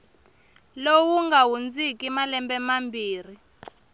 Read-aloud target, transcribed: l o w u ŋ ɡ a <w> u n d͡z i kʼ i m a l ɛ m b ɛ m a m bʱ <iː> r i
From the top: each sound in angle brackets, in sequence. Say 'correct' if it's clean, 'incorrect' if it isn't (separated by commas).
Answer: correct, correct